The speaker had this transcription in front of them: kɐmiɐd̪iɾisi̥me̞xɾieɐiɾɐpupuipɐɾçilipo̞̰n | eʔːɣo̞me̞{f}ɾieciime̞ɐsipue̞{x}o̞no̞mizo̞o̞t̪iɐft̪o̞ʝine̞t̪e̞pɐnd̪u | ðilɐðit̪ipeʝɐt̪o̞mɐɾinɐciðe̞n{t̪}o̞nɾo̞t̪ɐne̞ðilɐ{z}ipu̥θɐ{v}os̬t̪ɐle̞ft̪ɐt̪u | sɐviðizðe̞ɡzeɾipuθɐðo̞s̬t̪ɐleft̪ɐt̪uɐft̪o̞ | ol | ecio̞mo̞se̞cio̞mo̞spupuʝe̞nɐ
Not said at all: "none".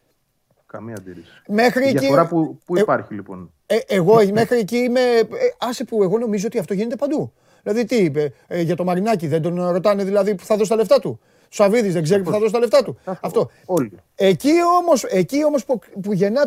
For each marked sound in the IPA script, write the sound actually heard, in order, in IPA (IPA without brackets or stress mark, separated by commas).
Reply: x, ɣ, d̪, ð, ð